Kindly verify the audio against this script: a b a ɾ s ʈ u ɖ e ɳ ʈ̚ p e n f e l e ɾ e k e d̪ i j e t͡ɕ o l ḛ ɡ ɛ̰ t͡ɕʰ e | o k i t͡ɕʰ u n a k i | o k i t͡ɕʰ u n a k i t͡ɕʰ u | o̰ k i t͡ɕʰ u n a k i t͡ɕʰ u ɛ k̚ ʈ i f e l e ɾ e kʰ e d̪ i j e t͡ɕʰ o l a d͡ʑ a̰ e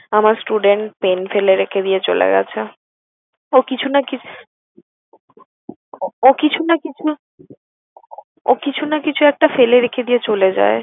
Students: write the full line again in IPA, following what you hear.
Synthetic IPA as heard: a m a ɾ s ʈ u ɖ e ɳ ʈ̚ p e n f e l e ɾ e kʰ e d̪ i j e t͡ɕ o l ḛ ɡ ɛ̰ t͡ɕʰ e | o k i t͡ɕʰ u n a k i | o k i t͡ɕʰ u n a k i t͡ɕʰ u | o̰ k i t͡ɕʰ u n a k i t͡ɕʰ u ɛ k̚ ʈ a f e l e ɾ e kʰ e d̪ i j e t͡ɕ o l e d͡ʑ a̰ e

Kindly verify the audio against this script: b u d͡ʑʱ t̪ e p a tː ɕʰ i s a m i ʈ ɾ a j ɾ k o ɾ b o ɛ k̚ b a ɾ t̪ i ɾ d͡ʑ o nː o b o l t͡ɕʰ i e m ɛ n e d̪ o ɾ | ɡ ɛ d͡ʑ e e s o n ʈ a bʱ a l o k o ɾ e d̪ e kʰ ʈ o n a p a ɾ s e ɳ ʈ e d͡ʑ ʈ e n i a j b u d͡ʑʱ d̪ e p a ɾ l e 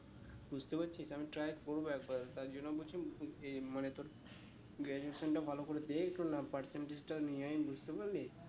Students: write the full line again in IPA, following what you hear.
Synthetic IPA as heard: b u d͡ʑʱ t̪ e p a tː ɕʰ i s a m i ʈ ɾ a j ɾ k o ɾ b o ɛ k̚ b a ɾ t̪ a ɾ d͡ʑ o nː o b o l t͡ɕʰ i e m a n e t̪ o ɾ | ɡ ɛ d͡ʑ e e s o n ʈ a bʱ a l o k o ɾ e d̪ e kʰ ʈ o n a p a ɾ s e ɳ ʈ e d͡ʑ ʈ a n i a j b u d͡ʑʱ t̪ e p a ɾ l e

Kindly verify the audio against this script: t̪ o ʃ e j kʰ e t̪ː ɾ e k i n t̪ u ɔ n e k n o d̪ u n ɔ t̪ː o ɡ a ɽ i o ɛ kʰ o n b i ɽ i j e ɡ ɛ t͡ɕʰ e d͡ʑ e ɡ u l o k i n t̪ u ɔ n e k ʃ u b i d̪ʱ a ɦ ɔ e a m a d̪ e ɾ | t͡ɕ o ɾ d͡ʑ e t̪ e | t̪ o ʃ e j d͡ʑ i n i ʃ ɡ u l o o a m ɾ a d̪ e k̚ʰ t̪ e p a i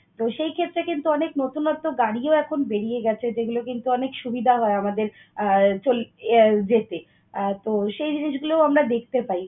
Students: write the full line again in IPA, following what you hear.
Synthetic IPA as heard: t̪ o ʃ e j kʰ e t̪ː ɾ e k i n t̪ u ɔ n e k n o t̪ u n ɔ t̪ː o ɡ a ɽ i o ɛ kʰ o n b e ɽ i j e ɡ ɛ t͡ɕʰ e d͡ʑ e ɡ u l o k i n t̪ u ɔ n e k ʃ u b i d̪ʱ a ɦ ɔ e a m a d̪ e ɾ | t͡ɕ o l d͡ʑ e t̪ e | t̪ o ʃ e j d͡ʑ i n i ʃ ɡ u l o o a m ɾ a d̪ e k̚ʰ t̪ e p a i

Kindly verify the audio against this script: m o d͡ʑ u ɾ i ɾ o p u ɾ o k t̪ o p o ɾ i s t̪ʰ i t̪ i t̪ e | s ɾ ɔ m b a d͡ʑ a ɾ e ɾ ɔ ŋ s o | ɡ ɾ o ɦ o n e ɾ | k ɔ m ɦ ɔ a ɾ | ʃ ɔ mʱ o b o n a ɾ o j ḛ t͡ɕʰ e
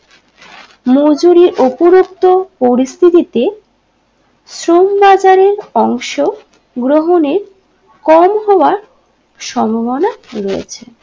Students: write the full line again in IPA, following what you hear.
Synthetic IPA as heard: m o d͡ʑ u ɾ i ɾ o p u ɾ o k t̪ o p o ɾ i s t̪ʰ i t̪ i t̪ e | s ɾ o m b a d͡ʑ a ɾ e ɾ ɔ ŋ ʃ o | ɡ ɾ o ɦ o n e ɾ | k ɔ m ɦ ɔ a ɾ | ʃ ɔ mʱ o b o n a ɾ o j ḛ t͡ɕʰ e

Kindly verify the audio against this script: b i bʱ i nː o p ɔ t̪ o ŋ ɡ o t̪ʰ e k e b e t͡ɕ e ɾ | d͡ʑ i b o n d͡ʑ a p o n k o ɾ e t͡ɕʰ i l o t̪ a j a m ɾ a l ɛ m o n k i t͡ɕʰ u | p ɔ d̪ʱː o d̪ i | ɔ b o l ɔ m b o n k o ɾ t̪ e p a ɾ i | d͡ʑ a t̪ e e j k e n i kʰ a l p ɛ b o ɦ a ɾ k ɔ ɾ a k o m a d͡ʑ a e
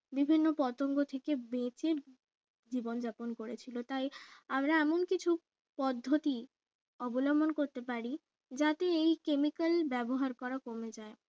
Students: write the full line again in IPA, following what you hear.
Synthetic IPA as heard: b i bʱ i nː o p ɔ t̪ o ŋ ɡ o t̪ʰ e k e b e t͡ɕ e ɾ | d͡ʑ i b o n d͡ʑ a p o n k o ɾ e t͡ɕʰ i l o t̪ a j a m ɾ a ɛ m o n k i t͡ɕʰ u | p ɔ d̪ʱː o t̪ i | ɔ b o l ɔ m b o n k o ɾ t̪ e p a ɾ i | d͡ʑ a t̪ e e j k e m i k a l b ɛ b o ɦ a ɾ k ɔ ɾ a k o m e d͡ʑ a e

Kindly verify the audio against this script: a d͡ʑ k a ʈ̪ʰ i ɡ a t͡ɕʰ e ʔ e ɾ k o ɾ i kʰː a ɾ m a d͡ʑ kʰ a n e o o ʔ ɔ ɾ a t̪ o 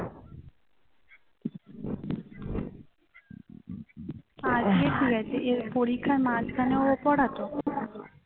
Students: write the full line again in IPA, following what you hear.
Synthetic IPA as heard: a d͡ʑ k e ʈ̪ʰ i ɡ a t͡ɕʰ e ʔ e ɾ p o ɾ i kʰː a ɾ m a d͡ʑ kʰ a n e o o p ɔ ɽ a t̪ o

